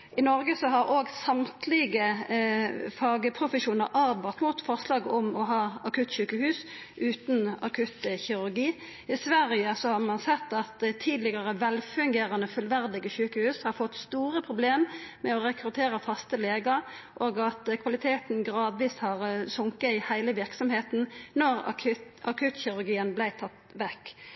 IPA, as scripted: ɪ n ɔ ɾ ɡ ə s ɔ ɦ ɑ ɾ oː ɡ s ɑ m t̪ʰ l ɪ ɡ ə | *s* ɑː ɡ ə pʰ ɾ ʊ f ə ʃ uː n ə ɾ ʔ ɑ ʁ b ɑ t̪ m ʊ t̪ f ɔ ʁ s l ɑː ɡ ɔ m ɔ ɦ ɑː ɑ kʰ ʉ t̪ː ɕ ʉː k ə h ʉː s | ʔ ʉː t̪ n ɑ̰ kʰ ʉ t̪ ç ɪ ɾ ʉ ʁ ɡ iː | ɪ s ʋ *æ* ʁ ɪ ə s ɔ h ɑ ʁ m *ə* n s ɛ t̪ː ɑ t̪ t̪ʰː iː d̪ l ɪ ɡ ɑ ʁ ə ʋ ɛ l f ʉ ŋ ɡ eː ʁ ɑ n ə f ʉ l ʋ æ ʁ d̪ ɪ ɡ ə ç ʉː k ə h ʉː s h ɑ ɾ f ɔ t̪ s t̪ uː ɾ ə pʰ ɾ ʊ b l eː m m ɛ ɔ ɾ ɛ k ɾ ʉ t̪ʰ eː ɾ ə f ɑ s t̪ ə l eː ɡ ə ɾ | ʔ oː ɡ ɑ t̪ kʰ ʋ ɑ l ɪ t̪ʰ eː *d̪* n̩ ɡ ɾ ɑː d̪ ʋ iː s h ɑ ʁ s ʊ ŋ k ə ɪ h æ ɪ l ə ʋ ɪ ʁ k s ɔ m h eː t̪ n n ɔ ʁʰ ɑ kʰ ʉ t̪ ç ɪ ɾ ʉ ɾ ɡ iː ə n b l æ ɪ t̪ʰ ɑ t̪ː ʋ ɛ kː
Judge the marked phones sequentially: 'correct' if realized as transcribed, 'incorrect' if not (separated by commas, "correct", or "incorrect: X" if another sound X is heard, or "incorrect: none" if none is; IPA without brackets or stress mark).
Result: incorrect: f, correct, incorrect: ɑ, incorrect: t̪